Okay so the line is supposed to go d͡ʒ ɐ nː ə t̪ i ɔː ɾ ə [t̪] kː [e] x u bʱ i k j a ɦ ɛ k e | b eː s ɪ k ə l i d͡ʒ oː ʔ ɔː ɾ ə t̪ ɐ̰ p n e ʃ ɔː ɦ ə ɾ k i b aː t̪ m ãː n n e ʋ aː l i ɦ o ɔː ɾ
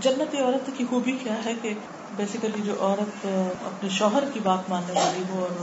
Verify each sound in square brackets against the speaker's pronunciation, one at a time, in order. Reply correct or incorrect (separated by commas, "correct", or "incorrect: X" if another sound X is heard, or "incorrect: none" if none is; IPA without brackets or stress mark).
correct, incorrect: i